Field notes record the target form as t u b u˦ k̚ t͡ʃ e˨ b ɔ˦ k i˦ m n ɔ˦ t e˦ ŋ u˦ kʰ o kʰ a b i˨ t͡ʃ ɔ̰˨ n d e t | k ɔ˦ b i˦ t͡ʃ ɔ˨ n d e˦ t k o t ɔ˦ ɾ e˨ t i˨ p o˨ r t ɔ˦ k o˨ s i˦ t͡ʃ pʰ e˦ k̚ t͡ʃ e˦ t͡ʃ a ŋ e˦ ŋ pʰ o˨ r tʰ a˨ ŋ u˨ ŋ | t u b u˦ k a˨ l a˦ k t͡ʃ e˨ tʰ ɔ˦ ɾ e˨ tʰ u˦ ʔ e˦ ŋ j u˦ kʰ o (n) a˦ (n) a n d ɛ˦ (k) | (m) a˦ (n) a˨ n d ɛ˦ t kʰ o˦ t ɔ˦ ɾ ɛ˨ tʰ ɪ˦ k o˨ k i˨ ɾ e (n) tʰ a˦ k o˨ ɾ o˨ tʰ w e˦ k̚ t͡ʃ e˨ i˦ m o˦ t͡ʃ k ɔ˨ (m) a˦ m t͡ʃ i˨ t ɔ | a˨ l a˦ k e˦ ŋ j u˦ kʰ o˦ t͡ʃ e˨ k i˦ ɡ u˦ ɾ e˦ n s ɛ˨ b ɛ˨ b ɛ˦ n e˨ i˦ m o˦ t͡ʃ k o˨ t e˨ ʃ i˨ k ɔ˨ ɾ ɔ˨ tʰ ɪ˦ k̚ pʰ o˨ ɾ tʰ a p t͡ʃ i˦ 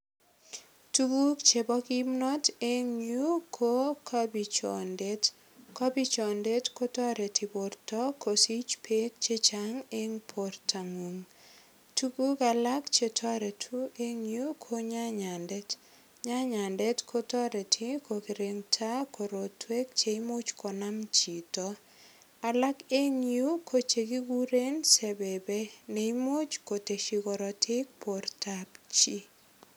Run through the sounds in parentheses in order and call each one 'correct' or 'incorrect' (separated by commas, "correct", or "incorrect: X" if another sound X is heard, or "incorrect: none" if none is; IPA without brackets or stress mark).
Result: incorrect: ɲ, incorrect: ɲ, incorrect: t, incorrect: ɲ, incorrect: ɲ, incorrect: ŋ, incorrect: n